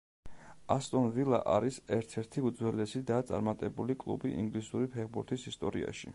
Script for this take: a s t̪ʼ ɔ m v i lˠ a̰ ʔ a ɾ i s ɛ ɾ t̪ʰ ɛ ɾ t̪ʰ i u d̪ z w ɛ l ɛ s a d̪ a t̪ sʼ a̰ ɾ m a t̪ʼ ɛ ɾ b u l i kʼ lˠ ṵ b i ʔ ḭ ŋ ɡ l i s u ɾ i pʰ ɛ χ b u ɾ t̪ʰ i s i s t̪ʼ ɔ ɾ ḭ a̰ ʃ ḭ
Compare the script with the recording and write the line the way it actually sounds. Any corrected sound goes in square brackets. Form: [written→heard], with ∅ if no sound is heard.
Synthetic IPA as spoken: a s t̪ʼ ɔ [m→n] v i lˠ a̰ ʔ a ɾ i s ɛ ɾ t̪ʰ ɛ ɾ t̪ʰ i u d̪ z w ɛ l ɛ s [a→i] d̪ a t̪ sʼ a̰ ɾ m a t̪ʼ ɛ [ɾ→∅] b u l i kʼ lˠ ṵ b i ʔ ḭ ŋ ɡ l i s u ɾ i pʰ ɛ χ b u ɾ t̪ʰ i s i s t̪ʼ ɔ ɾ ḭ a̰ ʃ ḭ